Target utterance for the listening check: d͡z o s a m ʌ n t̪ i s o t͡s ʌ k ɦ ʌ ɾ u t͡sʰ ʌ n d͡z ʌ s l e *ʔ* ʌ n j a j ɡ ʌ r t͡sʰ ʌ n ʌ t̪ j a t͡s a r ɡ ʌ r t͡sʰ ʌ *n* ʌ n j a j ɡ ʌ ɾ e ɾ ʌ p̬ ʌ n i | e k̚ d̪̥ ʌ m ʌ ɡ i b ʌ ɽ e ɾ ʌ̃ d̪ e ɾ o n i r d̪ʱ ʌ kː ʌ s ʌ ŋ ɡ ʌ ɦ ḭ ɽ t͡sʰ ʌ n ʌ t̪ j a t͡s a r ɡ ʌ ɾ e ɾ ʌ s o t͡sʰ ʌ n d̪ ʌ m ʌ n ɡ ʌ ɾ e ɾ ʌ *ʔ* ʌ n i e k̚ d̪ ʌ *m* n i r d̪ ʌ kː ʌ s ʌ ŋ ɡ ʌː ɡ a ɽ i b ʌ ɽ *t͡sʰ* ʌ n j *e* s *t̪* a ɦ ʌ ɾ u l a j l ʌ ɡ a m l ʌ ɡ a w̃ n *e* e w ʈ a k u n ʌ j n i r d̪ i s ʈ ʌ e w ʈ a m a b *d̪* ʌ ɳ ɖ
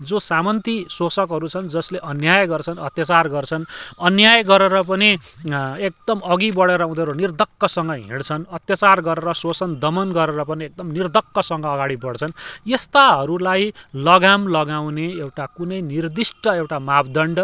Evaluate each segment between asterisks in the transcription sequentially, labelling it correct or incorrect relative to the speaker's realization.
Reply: correct, correct, incorrect: p, correct, correct, correct, correct, correct, correct

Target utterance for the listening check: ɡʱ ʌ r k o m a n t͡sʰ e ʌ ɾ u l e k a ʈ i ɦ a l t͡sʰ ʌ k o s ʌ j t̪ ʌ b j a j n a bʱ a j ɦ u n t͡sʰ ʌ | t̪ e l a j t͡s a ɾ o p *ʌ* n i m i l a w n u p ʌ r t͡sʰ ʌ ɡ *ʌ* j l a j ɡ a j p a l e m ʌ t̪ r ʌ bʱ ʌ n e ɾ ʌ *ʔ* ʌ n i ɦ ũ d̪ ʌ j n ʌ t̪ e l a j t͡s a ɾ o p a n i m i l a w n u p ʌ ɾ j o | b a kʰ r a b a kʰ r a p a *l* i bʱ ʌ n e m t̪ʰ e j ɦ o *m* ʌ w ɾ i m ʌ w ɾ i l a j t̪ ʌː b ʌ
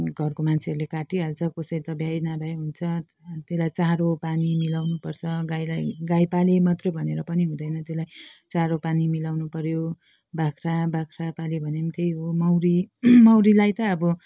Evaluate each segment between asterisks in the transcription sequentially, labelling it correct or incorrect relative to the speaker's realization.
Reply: incorrect: a, incorrect: a, incorrect: p, correct, correct

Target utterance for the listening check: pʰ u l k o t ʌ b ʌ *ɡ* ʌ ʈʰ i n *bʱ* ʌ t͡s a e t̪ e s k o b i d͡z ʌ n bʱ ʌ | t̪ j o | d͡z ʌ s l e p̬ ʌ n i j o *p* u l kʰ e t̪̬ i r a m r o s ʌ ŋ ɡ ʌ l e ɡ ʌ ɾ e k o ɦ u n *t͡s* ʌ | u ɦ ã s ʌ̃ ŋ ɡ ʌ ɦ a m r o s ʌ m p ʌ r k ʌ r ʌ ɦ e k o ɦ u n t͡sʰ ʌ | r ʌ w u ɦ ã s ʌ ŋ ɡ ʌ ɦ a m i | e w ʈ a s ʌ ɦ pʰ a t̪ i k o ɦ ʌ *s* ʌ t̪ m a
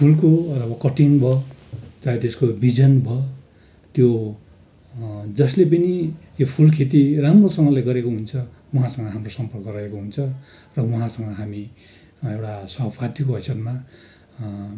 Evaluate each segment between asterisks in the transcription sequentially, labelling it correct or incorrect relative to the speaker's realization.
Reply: incorrect: k, correct, incorrect: pʰ, incorrect: t͡sʰ, correct

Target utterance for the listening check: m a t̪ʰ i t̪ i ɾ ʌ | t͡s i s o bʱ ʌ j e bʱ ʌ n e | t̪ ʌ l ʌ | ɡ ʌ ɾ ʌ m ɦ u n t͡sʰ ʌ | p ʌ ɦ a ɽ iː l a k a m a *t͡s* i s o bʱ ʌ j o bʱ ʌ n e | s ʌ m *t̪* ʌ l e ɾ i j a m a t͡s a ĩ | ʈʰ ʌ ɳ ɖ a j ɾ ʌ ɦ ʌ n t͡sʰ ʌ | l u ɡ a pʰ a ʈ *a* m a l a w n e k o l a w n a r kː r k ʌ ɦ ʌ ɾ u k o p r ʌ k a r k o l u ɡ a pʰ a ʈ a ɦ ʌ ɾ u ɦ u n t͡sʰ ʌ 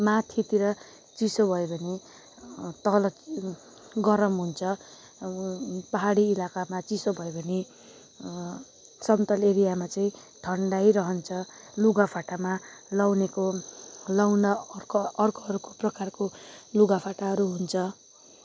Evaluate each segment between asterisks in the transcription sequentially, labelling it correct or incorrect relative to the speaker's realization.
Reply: correct, correct, correct

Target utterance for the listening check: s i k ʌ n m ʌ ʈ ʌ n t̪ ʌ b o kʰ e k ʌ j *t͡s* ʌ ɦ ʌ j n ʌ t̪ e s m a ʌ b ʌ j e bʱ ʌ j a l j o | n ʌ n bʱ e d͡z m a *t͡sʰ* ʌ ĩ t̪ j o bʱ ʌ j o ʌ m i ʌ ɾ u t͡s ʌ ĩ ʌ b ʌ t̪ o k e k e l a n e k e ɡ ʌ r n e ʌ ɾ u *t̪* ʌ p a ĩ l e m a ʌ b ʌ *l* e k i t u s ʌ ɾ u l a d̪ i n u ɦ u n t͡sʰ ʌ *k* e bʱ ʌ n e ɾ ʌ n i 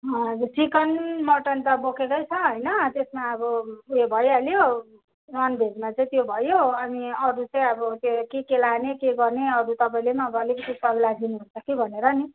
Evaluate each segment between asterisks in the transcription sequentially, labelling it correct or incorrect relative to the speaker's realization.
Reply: incorrect: t͡sʰ, incorrect: t͡s, correct, correct, correct

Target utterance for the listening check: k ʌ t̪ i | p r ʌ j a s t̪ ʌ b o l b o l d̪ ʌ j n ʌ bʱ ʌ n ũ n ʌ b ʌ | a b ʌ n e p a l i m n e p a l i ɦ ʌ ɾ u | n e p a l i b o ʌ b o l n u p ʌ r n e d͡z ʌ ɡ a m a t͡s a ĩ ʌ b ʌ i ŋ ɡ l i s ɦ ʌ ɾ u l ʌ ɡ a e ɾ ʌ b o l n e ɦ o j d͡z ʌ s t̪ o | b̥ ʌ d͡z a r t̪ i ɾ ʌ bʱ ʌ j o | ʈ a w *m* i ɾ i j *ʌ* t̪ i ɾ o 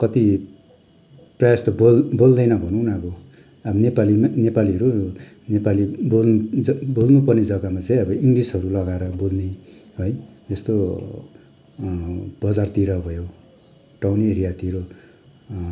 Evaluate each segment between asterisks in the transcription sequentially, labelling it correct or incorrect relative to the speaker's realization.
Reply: incorrect: n, incorrect: a

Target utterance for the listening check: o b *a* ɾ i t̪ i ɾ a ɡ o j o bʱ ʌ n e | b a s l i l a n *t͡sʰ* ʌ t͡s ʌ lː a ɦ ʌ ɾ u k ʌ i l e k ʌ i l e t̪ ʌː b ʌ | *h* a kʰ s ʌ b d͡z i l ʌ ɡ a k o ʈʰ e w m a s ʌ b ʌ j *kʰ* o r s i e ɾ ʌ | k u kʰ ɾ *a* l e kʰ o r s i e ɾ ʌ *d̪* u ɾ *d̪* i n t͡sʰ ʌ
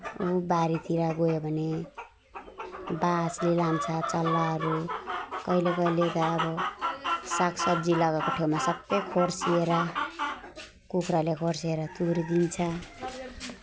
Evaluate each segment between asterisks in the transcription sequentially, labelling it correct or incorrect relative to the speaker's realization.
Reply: correct, correct, incorrect: s, correct, correct, incorrect: t̪, correct

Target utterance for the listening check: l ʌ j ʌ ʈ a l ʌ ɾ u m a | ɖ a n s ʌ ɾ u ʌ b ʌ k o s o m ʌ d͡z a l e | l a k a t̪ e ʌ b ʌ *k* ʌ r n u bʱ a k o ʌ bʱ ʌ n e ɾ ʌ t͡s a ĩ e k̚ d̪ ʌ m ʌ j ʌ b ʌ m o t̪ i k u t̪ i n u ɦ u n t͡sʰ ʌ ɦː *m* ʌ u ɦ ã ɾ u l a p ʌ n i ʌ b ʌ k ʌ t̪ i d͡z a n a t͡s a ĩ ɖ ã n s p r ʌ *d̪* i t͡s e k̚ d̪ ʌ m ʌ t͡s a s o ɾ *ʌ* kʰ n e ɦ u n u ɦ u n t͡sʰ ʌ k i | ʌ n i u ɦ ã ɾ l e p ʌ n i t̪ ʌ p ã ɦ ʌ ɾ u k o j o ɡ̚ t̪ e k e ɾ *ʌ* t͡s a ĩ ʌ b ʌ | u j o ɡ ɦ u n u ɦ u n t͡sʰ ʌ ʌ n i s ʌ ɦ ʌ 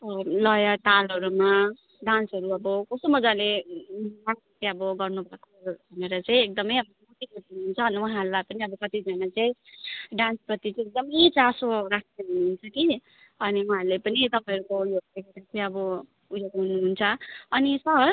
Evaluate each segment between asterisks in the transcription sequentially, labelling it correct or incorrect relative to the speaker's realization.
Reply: incorrect: ɡ, incorrect: n, incorrect: t̪, incorrect: a, incorrect: a

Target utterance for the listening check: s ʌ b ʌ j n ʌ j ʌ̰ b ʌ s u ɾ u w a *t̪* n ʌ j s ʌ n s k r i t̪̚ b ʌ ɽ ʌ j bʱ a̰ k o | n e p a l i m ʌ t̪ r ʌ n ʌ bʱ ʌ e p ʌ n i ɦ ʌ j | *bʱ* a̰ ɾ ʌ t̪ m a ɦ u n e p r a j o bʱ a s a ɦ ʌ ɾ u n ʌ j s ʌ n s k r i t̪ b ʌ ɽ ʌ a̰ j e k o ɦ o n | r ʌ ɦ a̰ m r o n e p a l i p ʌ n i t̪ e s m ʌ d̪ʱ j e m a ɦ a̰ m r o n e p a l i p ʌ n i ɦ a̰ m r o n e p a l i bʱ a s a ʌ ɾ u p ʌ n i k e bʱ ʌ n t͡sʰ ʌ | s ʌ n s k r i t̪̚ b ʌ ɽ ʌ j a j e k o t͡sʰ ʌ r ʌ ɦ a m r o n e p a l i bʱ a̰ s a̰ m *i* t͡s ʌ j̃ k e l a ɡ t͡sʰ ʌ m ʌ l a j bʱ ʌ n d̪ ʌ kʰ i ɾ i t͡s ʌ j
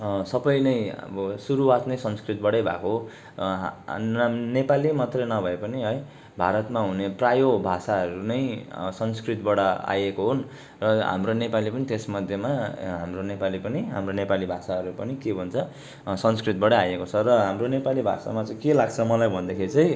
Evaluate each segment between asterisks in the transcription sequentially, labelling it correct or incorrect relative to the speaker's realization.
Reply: correct, correct, incorrect: a

